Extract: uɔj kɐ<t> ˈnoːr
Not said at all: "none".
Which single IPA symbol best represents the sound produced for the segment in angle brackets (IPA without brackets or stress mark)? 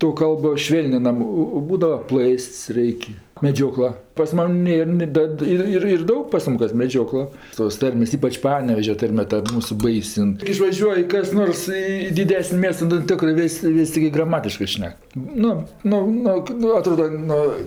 s